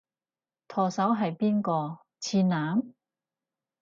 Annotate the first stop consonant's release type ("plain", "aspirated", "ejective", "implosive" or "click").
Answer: aspirated